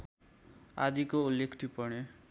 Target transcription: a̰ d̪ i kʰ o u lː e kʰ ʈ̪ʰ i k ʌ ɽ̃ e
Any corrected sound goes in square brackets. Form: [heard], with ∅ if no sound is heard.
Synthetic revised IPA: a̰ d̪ i [k] o u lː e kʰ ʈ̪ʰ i [p] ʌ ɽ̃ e